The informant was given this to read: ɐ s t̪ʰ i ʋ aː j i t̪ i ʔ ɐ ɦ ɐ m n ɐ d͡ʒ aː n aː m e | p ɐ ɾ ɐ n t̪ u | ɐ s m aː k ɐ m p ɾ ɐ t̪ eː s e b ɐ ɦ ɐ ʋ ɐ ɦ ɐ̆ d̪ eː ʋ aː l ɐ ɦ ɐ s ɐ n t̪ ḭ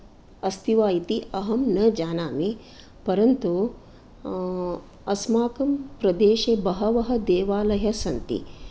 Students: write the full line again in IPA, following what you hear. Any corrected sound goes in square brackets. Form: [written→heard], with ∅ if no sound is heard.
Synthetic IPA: ɐ s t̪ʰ i ʋ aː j i t̪ i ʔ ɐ ɦ ɐ m n ɐ d͡ʒ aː n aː m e | p ɐ ɾ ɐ n t̪ u | ɐ s m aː k ɐ m p ɾ ɐ [t̪→d̪] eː [s→ʃ] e b ɐ ɦ ɐ ʋ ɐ ɦ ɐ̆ d̪ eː ʋ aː l ɐ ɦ ɐ s ɐ n t̪ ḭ